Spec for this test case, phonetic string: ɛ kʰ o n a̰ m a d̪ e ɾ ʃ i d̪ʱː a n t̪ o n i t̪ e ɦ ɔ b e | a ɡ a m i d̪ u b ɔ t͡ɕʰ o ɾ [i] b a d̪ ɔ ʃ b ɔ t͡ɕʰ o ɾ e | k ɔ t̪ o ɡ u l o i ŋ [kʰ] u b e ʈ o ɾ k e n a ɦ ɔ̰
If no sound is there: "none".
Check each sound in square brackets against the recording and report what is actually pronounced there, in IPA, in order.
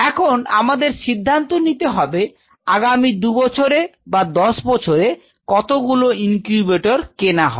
e, k

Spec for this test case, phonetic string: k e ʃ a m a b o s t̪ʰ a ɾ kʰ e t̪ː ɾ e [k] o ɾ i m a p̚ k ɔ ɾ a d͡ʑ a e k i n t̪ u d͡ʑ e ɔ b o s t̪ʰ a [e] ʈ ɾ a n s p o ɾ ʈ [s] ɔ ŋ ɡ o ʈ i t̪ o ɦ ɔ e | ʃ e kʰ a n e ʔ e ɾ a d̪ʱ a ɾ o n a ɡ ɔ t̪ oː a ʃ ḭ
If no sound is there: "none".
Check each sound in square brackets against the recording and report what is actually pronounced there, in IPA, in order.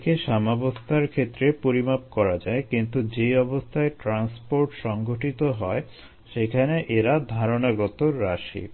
p, e, ʃ

